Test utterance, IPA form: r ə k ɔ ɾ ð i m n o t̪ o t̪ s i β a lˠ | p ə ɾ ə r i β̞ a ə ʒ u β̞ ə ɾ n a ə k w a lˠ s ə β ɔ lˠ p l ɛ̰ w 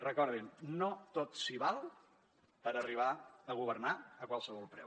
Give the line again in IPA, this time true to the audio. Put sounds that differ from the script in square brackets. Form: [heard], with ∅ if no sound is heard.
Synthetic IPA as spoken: r ə k ɔ ɾ ð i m n o t̪ o t̪ s i β a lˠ | p ə ɾ ə r i β̞ a ə [ɣ] u β̞ ə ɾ n a ə k w a lˠ s ə β ɔ lˠ p [ɾ] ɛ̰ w